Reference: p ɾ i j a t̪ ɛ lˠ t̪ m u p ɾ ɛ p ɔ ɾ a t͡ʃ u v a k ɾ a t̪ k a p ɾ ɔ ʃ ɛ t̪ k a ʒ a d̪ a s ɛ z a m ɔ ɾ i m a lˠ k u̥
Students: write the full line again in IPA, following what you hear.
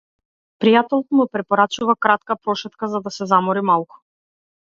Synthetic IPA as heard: p ɾ i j a t̪ ɛ lˠ t̪ m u p ɾ ɛ p ɔ ɾ a t͡ʃ u v a k ɾ a t̪ k a p ɾ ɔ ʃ ɛ t̪ k a z a d̪ a s ɛ z a m ɔ ɾ i m a lˠ k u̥